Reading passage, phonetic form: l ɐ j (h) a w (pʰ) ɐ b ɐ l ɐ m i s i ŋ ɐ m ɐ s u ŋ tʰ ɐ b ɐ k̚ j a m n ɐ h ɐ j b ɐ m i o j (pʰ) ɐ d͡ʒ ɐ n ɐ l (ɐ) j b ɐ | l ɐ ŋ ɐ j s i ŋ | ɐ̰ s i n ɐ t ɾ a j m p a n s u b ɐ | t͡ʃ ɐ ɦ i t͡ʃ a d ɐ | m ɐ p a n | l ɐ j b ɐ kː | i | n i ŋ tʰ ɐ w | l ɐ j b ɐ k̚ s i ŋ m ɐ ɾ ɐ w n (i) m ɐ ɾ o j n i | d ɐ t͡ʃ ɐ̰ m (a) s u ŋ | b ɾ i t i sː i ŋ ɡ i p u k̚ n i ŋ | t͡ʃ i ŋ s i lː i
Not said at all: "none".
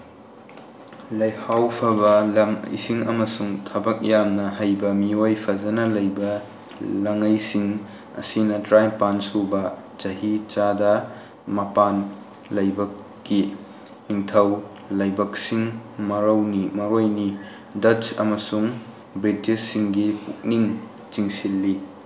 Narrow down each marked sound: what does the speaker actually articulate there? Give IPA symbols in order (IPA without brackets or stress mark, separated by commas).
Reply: h, pʰ, pʰ, ɐ, i, ɐ